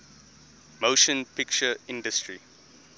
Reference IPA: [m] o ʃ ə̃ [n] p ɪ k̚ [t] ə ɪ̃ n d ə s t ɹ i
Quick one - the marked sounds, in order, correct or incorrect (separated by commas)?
correct, correct, incorrect